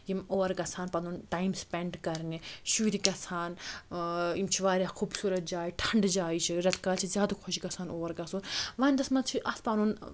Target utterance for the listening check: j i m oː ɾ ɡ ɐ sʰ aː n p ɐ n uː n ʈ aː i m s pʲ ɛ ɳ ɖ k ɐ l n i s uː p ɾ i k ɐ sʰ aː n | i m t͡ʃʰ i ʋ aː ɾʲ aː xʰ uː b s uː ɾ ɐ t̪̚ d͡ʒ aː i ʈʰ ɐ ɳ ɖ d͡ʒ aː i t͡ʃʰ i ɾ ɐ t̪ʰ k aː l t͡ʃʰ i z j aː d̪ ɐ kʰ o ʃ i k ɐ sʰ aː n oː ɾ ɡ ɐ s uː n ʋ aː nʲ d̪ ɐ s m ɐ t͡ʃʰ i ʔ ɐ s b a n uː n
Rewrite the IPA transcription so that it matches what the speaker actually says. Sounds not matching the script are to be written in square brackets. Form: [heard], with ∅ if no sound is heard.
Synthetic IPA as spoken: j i m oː ɾ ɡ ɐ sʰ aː n p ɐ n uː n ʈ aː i m s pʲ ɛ ɳ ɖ k ɐ [ɾ] n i [ʃ] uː [∅] ɾ i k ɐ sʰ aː n | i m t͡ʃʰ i ʋ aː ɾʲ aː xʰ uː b s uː ɾ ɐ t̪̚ d͡ʒ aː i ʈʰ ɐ ɳ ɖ d͡ʒ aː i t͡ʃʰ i ɾ ɐ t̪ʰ k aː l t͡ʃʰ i z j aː d̪ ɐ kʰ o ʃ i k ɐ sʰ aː n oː ɾ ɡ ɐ s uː n ʋ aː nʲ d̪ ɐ s m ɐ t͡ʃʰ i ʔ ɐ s [p] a n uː n